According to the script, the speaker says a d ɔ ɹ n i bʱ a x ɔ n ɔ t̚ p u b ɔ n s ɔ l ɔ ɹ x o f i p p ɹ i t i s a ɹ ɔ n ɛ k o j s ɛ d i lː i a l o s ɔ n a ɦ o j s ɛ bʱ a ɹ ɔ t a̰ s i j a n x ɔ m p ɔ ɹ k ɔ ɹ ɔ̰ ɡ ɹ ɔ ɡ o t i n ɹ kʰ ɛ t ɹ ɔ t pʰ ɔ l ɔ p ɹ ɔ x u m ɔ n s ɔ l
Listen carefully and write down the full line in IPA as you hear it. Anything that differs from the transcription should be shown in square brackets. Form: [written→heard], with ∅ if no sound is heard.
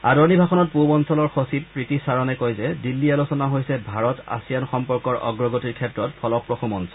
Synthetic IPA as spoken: a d ɔ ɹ n i bʱ a x ɔ n ɔ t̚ p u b ɔ n s ɔ l ɔ ɹ x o [f→s] i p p ɹ i t i s a ɹ ɔ n ɛ k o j [s→z] ɛ d i lː i a l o s ɔ n a ɦ o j s ɛ bʱ a ɹ ɔ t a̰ s i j a n x ɔ m p ɔ ɹ k ɔ ɹ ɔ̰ ɡ ɹ ɔ ɡ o t i [n→∅] ɹ kʰ ɛ t ɹ ɔ t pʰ ɔ l ɔ p ɹ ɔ x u m ɔ n s ɔ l